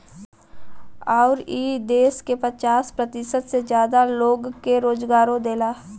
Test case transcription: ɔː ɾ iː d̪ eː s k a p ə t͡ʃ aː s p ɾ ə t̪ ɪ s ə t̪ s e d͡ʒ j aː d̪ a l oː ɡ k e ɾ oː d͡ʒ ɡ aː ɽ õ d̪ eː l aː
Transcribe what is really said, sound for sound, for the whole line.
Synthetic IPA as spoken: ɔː ɾ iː d̪ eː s k e p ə t͡ʃ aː s p ɾ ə t̪ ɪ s ə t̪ s e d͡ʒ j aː d̪ a l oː ɡ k e ɾ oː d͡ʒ ɡ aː ɾ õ d̪ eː l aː